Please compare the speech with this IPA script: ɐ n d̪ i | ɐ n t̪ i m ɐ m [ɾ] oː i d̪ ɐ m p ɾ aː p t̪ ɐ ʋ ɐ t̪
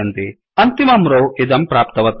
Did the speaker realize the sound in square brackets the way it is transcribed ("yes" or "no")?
yes